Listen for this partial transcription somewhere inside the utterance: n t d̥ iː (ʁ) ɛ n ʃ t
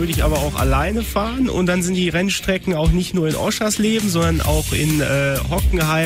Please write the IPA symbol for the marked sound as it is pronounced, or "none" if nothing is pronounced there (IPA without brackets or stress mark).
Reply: ʁ